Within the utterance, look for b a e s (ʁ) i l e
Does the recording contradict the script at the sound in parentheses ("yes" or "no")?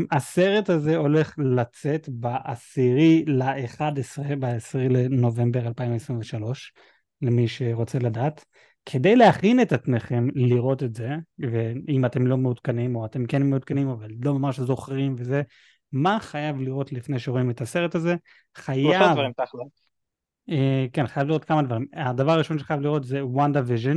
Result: no